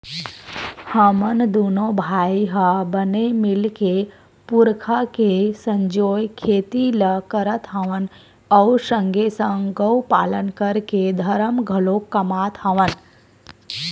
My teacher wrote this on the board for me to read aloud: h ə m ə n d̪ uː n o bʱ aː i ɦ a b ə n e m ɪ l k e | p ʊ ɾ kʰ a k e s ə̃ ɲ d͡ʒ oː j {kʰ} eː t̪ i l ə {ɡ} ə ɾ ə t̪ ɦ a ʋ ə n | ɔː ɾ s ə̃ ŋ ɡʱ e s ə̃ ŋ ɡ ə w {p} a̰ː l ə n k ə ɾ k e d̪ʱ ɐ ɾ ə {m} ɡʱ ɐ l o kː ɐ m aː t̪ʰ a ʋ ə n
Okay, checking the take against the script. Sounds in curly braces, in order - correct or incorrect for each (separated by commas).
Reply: correct, incorrect, correct, correct